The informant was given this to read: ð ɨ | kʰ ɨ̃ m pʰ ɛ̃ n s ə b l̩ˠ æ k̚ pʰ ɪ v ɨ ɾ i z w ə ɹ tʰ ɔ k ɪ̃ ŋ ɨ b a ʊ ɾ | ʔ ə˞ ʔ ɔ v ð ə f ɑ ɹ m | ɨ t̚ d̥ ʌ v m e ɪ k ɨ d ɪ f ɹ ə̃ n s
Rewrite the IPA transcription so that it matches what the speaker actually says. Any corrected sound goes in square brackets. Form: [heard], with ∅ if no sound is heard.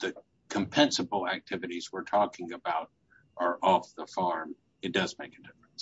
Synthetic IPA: ð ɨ | kʰ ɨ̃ m pʰ ɛ̃ n s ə b l̩ˠ æ k̚ [tʰ] ɪ v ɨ ɾ i z w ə ɹ tʰ ɔ k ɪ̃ ŋ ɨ b a ʊ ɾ | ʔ ə˞ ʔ ɔ [f] ð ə f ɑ ɹ m | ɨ t̚ d̥ ʌ [z] m e ɪ k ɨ d ɪ f ɹ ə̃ n s